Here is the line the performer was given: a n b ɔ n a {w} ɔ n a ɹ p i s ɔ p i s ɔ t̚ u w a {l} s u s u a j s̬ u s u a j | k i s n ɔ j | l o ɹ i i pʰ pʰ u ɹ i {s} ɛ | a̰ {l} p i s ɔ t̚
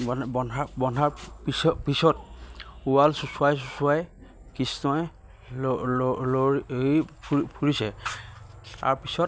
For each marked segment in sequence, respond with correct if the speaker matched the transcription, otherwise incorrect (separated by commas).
incorrect, correct, correct, incorrect